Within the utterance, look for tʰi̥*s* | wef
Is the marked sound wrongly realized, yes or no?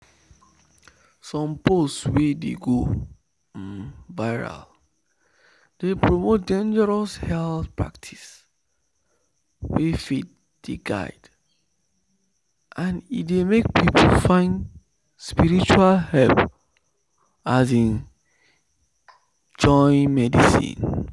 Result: no